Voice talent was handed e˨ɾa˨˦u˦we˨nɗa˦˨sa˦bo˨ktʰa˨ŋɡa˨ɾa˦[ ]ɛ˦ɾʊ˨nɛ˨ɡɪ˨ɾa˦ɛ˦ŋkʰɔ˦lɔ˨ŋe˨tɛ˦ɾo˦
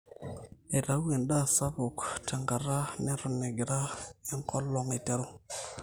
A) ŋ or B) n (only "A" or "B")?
B